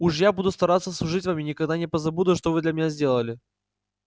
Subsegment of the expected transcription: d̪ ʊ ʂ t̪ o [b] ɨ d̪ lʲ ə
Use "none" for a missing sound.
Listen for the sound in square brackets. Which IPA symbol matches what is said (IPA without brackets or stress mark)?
v